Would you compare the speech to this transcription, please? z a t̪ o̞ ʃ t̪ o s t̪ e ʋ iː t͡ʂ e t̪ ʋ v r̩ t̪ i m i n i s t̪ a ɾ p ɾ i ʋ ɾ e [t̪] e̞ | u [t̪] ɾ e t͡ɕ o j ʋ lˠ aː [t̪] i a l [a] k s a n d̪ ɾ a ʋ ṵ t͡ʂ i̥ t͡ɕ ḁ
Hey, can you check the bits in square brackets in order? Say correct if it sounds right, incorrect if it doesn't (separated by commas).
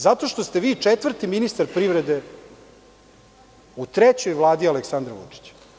incorrect, correct, incorrect, incorrect